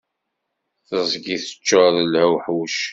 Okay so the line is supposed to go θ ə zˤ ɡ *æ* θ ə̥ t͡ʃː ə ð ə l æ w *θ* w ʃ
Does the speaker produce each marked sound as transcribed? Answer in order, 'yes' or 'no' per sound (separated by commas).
no, no